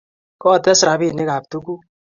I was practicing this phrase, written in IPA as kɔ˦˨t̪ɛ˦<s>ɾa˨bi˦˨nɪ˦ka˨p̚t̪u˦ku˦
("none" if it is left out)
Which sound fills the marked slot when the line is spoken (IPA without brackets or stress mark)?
s